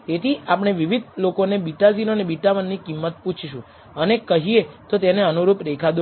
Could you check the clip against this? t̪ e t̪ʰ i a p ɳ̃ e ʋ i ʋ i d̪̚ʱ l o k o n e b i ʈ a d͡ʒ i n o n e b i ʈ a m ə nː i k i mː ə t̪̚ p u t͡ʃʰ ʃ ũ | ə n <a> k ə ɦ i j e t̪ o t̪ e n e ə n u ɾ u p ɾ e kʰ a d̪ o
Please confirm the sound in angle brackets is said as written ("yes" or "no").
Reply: no